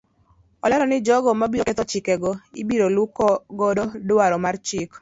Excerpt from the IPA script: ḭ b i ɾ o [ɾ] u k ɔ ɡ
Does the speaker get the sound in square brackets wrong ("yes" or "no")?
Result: yes